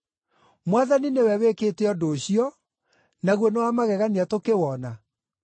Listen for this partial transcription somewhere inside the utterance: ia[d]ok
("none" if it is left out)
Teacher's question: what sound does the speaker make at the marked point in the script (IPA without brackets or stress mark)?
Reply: t